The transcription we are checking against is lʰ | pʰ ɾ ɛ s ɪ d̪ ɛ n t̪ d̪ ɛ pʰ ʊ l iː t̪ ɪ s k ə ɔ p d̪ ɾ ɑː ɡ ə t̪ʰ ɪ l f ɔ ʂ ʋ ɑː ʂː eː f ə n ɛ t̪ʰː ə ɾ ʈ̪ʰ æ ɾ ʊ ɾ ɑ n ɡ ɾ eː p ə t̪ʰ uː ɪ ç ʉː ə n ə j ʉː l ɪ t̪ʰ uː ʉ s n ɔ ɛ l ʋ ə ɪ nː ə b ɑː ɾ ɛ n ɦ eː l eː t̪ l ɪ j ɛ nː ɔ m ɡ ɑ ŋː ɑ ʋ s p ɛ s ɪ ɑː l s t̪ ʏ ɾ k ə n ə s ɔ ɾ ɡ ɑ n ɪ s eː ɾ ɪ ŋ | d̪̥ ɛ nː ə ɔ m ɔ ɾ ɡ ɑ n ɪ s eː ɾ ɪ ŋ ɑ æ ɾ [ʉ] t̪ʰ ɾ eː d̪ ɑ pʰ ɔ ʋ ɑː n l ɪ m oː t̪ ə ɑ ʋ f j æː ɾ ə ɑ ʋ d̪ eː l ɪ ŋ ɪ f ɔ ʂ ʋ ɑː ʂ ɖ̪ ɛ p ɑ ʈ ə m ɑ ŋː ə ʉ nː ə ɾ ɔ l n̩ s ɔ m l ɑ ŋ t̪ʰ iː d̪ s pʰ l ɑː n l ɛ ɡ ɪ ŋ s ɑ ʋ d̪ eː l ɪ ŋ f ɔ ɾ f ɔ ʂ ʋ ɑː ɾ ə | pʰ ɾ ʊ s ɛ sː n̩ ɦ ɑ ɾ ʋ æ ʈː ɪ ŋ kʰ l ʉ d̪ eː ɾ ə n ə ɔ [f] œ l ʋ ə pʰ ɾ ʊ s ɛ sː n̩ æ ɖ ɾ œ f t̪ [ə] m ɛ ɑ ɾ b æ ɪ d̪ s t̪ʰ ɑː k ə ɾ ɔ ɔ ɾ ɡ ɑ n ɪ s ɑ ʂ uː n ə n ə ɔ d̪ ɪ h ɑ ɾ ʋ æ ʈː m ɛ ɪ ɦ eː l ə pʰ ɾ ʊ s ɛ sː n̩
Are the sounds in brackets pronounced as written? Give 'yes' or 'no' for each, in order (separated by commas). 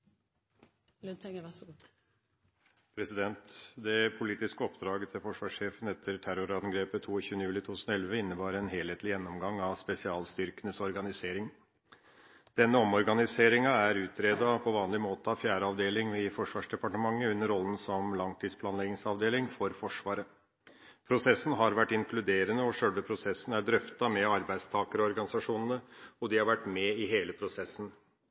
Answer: no, no, no